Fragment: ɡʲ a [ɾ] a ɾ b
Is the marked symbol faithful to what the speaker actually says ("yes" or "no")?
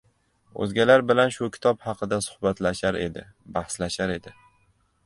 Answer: no